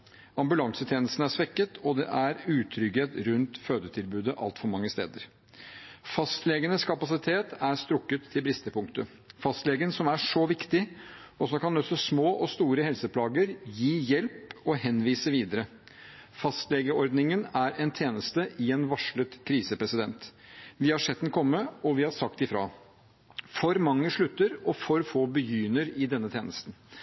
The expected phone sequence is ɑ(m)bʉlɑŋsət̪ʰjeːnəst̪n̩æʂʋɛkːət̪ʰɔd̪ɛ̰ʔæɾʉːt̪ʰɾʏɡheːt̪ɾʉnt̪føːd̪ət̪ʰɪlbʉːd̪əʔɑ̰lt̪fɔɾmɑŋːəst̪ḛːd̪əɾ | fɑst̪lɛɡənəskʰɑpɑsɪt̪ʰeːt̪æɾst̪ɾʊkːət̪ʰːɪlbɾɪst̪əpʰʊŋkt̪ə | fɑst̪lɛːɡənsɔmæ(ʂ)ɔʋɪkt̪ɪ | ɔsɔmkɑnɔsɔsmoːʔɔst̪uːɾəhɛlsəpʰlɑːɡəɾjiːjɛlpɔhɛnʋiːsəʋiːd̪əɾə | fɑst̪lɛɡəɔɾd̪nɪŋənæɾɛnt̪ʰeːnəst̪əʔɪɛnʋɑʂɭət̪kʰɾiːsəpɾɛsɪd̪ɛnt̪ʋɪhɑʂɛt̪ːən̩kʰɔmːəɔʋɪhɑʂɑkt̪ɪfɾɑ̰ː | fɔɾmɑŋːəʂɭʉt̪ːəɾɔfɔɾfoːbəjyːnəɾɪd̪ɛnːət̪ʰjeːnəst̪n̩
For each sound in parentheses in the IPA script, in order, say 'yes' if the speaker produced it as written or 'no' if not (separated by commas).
yes, yes